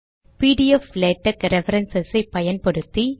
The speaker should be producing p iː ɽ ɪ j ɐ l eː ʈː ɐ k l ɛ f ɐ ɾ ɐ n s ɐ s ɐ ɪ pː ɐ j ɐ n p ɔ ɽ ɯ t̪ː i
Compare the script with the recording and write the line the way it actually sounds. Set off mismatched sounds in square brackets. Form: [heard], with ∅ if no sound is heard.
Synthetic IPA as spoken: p iː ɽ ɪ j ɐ l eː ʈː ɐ k [ɾ] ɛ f ɐ ɾ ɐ n s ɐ s ɐ ɪ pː ɐ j ɐ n p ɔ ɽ ɯ t̪ː i